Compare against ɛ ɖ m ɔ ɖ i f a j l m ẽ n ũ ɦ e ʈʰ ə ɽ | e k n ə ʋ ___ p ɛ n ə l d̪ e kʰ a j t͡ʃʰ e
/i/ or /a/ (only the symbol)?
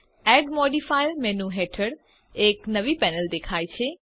i